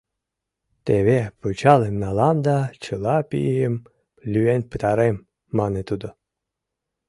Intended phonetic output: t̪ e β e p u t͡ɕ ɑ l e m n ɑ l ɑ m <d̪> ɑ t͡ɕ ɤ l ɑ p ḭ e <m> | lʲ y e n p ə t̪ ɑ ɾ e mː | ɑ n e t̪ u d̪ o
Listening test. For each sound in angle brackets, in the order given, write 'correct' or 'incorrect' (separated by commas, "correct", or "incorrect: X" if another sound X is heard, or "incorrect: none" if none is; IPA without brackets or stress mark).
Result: correct, correct